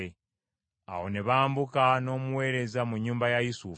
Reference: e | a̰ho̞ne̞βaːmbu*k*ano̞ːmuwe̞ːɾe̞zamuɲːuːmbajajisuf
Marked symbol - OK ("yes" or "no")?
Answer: yes